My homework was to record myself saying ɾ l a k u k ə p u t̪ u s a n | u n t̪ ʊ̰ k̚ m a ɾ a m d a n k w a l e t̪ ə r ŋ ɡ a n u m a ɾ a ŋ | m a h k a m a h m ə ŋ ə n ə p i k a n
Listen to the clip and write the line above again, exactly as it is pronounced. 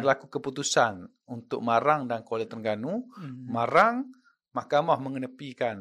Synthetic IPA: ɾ l a k u k ə p u t̪ u s a n | u n t̪ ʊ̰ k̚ m a ɾ a ŋ d a n k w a l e t̪ ə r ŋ ɡ a n u m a ɾ a ŋ | m a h k a m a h m ə ŋ ə n ə p i k a n